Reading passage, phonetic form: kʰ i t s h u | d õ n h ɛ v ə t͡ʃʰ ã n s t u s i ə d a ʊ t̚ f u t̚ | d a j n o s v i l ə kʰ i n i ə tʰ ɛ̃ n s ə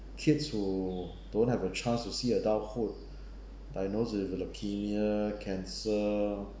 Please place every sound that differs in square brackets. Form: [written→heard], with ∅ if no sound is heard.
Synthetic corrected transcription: kʰ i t s h u | d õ n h ɛ v ə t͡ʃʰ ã n s t u s i ə d a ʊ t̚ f u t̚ | d a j n o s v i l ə kʰ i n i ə [tʰ→kʰ] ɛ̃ n s ə

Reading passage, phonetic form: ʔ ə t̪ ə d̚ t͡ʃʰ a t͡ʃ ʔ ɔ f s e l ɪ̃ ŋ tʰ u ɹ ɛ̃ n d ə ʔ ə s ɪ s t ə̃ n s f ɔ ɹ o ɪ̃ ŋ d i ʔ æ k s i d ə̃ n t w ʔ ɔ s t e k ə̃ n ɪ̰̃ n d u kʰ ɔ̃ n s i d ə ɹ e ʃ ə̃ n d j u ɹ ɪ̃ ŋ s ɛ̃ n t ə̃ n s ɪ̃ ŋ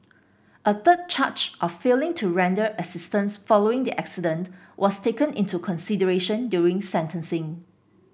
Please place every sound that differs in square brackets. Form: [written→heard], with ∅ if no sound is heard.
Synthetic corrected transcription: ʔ ə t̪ ə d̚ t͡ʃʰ a t͡ʃ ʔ ɔ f [s→f] e l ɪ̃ ŋ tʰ u ɹ ɛ̃ n d ə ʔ ə s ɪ s t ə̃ n s f ɔ [ɹ→l] o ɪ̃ ŋ d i ʔ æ k s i d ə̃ n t w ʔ ɔ s t e k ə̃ n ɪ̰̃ n [d→t] u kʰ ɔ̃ n s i d ə ɹ e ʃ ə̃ n d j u ɹ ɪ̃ ŋ s ɛ̃ n t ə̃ n s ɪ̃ ŋ

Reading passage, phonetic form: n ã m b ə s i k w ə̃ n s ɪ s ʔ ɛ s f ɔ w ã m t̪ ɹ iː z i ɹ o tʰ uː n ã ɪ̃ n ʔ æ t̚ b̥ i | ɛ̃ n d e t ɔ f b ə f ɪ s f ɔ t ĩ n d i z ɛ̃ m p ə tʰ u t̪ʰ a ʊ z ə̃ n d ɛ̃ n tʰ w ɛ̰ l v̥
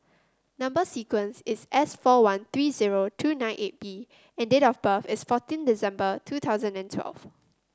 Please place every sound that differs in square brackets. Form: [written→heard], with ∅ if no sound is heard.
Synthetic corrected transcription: n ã m b ə s i k w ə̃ n s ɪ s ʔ ɛ s f ɔ w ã [m→n] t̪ ɹ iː z i ɹ o tʰ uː n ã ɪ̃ n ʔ [æ→e] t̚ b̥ i | ɛ̃ n d e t ɔ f b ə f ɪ s f ɔ t ĩ n d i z ɛ̃ m [p→b] ə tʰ u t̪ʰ a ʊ z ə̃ n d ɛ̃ n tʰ w ɛ̰ l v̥

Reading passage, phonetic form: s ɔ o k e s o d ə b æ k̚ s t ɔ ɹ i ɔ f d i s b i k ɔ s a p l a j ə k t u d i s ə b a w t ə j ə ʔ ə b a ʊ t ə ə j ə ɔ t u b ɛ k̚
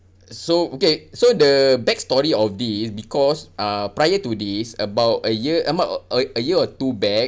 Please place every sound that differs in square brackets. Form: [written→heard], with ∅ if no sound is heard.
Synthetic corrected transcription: s [ɔ→o] o k e s o d ə b [æ→ɛ] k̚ s t ɔ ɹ i ɔ f d i s b i k ɔ s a p [l→ɹ] a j ə [k→∅] t u d i s ə b a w t ə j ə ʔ ə b a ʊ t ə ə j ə ɔ t u b ɛ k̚

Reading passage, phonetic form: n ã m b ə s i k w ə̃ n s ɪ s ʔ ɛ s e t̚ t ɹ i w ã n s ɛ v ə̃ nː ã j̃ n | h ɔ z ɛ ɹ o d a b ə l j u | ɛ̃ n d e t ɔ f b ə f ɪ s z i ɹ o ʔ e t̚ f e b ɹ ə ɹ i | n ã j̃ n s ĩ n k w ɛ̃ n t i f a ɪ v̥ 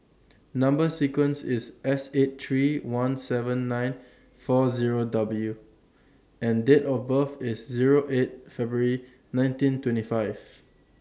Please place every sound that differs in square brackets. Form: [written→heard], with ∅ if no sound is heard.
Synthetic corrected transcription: n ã m b ə s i k w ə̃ n s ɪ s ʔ ɛ s e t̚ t ɹ i w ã n s ɛ v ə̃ nː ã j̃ n | [h→f] ɔ z [ɛ→i] ɹ o d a b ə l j u | ɛ̃ n d e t ɔ f b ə f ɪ s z i ɹ o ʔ e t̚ f [e→ɛ] b ɹ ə ɹ i | n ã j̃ n [s→t] ĩ n [k→t] w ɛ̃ n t i f a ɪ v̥

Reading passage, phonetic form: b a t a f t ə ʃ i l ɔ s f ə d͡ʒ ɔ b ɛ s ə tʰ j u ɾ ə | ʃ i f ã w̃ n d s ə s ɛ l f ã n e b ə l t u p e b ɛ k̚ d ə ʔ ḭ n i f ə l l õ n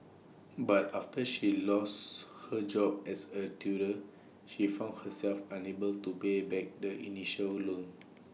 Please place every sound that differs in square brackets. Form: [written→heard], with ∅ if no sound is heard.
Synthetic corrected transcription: b a t a f t ə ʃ i l ɔ s [f→h] ə d͡ʒ ɔ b ɛ s ə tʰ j u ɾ ə | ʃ i f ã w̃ n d [s→h] ə s ɛ l f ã n e b ə l t u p e b ɛ k̚ d ə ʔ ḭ n i [f→ʃ] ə l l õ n

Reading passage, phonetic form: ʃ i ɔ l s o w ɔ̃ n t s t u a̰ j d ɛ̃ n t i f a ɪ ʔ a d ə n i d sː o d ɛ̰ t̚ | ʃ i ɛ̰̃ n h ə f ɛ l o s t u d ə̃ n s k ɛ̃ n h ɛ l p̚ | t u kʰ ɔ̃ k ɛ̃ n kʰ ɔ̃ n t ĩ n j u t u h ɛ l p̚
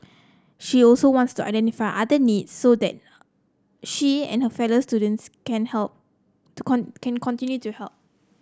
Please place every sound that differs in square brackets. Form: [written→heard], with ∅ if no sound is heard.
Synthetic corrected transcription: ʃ i ɔ l s o w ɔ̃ n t s t u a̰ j d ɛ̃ n t i f a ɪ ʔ a d ə n i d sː o d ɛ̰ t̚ | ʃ i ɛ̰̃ n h ə f ɛ l o s t u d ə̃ n s k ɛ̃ n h ɛ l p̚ | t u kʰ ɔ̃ k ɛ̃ n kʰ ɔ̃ n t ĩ n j u t u h ɛ l p̚

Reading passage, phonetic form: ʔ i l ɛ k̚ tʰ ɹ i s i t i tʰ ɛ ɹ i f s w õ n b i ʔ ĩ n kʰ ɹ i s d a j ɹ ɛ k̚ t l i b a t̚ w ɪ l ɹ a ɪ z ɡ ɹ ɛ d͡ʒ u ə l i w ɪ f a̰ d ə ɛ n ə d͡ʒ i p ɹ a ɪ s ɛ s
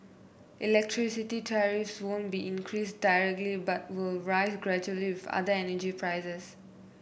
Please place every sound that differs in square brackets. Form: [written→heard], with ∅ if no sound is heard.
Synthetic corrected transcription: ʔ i l ɛ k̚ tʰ ɹ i s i t i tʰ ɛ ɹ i f s w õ n b i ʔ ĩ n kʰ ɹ i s d a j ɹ ɛ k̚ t l i b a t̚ w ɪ l ɹ a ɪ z ɡ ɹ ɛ d͡ʒ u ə l i w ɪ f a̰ d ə ɛ n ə d͡ʒ i p ɹ a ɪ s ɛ s

